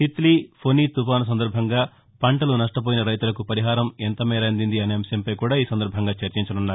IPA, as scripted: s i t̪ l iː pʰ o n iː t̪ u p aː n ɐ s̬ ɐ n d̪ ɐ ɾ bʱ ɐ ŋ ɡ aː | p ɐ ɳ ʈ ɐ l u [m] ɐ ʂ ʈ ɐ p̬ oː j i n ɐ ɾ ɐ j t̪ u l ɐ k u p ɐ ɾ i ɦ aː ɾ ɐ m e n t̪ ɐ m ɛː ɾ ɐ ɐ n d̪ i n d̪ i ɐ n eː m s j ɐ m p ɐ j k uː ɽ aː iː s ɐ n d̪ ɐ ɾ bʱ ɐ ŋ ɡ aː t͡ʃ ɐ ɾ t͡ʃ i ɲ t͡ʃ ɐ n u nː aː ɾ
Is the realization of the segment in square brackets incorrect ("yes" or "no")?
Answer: yes